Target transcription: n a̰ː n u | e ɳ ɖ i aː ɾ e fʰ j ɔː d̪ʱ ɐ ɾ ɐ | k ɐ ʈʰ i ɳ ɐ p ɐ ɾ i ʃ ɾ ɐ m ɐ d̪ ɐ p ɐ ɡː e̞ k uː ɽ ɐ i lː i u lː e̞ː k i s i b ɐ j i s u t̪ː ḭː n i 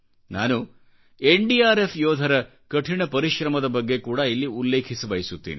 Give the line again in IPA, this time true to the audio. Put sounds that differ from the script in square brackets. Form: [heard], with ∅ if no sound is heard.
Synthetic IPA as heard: n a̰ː n u | e ɳ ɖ i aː ɾ e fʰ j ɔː d̪ʱ ɐ ɾ ɐ | k ɐ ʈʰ i ɳ ɐ p ɐ ɾ i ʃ ɾ ɐ m ɐ d̪ ɐ [b] ɐ ɡː e̞ k uː ɽ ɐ i lː i u lː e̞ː [kʰ] i s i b ɐ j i s u t̪ː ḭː n i